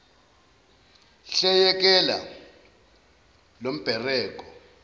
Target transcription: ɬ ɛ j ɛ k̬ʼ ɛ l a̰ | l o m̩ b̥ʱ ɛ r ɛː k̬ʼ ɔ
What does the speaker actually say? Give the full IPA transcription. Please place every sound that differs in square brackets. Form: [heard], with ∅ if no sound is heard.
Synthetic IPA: ɬ ɛ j ɛ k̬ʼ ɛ l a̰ | l o m̩ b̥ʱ ɛ r ɛː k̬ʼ ɔ